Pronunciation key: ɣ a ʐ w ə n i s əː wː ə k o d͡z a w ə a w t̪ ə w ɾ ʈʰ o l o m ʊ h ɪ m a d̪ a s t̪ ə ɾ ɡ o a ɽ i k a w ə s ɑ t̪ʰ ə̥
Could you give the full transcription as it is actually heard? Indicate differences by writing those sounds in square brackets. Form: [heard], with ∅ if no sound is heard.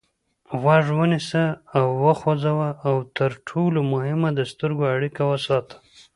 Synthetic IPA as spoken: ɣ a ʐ w ə n i s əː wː ə [x] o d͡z a w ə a w t̪ ə [∅] ɾ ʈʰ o l o m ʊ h ɪ m a d̪ [ə] s t̪ ə ɾ ɡ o a ɽ i k a w ə s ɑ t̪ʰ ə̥